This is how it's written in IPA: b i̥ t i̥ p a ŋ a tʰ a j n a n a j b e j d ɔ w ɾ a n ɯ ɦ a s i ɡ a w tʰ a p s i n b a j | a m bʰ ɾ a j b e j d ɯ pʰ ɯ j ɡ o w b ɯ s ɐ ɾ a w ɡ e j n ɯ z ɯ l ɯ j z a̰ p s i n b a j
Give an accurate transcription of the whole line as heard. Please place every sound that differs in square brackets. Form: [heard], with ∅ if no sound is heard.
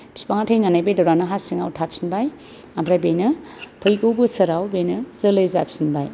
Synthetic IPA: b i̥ [s] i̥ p a ŋ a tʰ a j n a n a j b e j d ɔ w ɾ a n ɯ ɦ a s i [ŋ] a w tʰ a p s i n b a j | a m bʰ ɾ a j b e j [n] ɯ pʰ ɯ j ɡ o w b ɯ s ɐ ɾ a w [b] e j n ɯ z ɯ l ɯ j z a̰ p s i n b a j